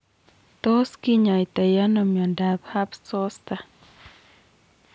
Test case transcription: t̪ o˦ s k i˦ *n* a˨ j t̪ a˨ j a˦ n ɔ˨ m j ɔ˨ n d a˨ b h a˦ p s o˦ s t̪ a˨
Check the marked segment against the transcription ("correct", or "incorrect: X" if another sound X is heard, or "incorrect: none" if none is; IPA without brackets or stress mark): incorrect: ɲ